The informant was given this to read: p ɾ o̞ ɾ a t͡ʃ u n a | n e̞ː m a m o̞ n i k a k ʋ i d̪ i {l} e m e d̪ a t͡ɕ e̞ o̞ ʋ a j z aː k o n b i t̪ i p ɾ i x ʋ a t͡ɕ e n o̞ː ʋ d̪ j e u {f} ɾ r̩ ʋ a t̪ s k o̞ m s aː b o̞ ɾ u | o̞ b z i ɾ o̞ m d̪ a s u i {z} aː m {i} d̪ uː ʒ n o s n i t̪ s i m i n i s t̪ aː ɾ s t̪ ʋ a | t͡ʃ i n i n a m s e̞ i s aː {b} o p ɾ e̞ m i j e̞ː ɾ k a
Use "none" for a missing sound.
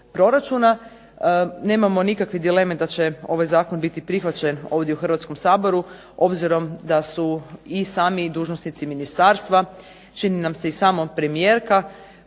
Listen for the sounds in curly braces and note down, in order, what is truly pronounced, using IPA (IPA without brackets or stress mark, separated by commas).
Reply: l, x, s, i, m